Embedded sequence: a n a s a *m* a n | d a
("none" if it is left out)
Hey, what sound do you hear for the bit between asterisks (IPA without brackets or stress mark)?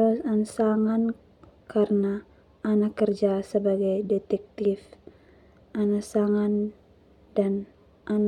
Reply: ŋ